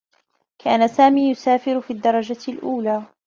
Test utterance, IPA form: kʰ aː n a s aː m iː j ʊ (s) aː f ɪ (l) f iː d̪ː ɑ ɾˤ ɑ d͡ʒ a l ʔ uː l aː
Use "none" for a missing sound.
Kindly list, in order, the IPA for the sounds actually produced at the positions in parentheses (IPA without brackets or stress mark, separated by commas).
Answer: s, ɾ